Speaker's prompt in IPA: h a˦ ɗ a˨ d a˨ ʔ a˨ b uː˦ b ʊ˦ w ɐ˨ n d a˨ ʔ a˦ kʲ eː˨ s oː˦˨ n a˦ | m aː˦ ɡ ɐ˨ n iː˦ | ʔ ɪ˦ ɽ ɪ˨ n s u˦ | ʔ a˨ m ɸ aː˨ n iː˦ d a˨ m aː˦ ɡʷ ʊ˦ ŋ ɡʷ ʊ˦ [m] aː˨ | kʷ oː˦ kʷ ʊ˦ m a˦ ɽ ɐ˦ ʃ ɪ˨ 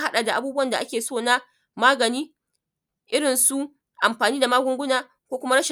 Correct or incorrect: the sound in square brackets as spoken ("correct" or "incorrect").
incorrect